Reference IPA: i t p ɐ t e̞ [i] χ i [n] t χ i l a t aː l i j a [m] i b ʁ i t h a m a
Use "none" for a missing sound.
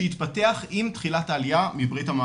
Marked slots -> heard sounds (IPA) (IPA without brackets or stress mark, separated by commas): a, m, m